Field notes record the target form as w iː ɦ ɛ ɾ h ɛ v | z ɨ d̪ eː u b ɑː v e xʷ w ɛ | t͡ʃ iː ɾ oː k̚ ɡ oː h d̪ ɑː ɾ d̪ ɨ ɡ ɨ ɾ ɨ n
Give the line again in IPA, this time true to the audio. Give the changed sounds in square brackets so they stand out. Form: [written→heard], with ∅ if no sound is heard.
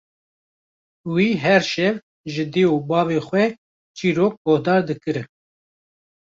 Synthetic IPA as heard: w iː ɦ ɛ ɾ [h→ʃ] ɛ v | [z→ʒ] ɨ d̪ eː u b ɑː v e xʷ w ɛ | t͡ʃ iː ɾ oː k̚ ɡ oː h d̪ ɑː ɾ d̪ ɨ [ɡ→k] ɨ ɾ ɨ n